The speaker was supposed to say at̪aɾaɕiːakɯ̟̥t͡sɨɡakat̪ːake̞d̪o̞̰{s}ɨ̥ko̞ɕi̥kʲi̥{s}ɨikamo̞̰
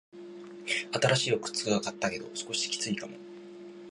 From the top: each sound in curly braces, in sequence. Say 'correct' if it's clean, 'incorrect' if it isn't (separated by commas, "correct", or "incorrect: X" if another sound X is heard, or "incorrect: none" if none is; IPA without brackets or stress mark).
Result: correct, incorrect: t͡s